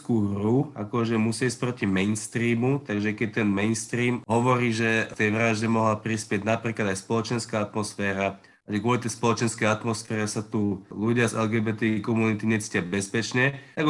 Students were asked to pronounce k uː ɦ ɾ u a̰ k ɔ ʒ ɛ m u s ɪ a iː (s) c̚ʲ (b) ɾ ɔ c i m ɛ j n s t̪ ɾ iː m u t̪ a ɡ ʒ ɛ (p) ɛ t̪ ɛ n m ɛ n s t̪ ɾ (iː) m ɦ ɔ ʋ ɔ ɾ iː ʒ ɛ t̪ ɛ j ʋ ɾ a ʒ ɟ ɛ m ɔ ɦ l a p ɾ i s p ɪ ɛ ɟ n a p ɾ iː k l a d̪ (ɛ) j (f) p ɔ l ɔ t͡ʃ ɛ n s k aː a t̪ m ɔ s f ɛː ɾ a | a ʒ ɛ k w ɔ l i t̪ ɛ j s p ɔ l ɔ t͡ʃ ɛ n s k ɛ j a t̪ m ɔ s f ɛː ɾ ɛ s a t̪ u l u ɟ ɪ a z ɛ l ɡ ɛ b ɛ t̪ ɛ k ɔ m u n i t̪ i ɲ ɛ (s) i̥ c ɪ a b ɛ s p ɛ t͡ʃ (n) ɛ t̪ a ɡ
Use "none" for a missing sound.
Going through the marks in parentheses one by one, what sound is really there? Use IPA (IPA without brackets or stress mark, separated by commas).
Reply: s, p, k, iː, a, s, t͡s, ɲ